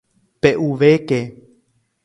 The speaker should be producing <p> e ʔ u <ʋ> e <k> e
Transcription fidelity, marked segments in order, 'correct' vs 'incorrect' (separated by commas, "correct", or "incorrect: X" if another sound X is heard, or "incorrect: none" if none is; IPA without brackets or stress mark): correct, correct, correct